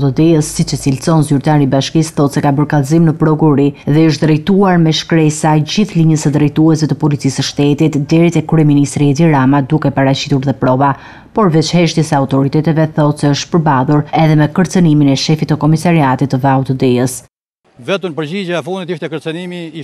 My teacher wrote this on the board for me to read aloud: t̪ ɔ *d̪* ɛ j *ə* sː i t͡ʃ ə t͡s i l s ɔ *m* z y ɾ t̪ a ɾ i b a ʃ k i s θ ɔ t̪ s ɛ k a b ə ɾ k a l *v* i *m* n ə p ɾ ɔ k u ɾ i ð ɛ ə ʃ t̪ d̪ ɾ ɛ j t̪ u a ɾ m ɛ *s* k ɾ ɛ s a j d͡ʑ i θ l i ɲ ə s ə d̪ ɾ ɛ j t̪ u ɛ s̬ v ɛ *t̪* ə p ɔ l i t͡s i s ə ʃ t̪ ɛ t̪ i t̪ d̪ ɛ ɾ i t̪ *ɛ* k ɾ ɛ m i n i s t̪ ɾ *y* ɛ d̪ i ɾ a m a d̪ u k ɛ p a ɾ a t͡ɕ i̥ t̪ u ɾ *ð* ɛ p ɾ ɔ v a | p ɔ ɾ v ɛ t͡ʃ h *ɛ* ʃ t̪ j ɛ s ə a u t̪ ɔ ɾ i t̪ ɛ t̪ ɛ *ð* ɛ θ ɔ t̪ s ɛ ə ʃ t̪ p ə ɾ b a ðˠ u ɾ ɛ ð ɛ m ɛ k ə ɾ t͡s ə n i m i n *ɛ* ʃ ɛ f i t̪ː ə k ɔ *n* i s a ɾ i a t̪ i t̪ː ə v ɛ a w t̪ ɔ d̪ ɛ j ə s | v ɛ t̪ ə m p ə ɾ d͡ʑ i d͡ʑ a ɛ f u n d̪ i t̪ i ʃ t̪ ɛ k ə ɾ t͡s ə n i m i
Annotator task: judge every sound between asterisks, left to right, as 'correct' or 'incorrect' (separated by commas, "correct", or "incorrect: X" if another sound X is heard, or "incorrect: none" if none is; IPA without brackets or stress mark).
correct, correct, incorrect: n, incorrect: z, correct, incorrect: ʃ, correct, correct, incorrect: i, correct, correct, incorrect: v, correct, incorrect: m